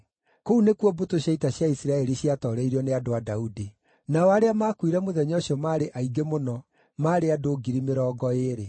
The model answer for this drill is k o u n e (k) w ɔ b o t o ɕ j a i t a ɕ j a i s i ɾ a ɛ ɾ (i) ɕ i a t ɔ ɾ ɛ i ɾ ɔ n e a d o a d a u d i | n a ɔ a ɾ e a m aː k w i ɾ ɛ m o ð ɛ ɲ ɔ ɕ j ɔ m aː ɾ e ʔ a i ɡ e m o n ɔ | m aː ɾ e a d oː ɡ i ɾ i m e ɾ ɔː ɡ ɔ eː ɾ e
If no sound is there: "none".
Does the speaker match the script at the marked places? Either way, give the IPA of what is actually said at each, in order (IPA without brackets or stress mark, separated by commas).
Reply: k, i